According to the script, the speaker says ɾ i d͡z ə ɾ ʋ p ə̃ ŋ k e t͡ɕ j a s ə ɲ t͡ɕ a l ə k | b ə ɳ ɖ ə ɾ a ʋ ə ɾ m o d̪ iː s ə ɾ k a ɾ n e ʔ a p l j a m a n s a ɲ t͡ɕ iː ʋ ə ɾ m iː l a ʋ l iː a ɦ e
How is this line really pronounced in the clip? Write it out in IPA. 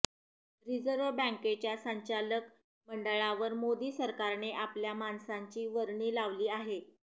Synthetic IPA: ɾ i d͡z ə ɾ ʋ b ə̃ ŋ k e t͡ɕ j a s ə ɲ t͡ɕ a l ə k | m ə ɳ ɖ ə ɭ a ʋ ə ɾ m o d̪ iː s ə ɾ k a ɾ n e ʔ a p l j a m a n s a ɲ t͡ɕ iː ʋ ə ɾ ɳ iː l a ʋ l iː a ɦ e